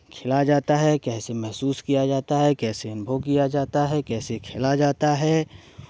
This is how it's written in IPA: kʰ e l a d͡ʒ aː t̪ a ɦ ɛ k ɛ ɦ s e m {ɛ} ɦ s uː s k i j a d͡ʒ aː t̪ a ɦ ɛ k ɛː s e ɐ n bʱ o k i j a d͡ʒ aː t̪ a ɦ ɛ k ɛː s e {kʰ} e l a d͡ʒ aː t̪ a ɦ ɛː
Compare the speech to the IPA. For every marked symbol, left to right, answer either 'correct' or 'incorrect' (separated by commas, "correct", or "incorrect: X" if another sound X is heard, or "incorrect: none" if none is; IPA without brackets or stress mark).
correct, correct